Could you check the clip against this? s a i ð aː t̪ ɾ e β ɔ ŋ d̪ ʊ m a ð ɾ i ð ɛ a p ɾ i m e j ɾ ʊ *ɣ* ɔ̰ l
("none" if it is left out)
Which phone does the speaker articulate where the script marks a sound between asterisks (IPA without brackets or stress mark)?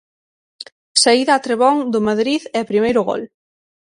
ɣ